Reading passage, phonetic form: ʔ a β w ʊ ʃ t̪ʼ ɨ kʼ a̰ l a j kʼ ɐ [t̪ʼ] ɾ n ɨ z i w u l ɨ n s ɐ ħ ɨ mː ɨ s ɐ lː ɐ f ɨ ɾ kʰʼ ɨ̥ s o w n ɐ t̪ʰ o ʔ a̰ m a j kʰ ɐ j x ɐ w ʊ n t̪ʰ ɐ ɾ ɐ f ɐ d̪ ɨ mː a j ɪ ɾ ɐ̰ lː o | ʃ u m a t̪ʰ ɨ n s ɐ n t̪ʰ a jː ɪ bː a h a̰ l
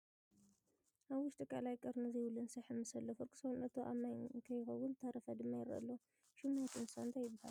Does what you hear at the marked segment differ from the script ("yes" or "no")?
yes